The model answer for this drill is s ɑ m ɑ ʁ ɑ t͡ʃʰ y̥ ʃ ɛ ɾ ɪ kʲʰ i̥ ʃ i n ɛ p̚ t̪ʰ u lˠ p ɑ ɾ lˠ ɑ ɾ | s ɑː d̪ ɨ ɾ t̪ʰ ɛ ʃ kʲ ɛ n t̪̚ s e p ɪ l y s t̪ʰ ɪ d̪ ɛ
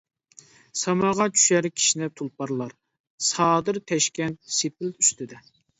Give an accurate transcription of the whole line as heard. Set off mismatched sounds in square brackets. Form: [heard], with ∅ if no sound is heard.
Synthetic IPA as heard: s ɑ m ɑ ʁ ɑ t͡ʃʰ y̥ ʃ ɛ ɾ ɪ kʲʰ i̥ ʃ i n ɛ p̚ t̪ʰ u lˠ p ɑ ɾ lˠ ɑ ɾ | s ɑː d̪ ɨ ɾ t̪ʰ ɛ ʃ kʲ ɛ n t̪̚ s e p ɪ l y s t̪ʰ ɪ d̪ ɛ